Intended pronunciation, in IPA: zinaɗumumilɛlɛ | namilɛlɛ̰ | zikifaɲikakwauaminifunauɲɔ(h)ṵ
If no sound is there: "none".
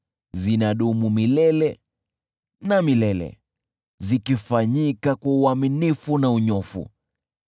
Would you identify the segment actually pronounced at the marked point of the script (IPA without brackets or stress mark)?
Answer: f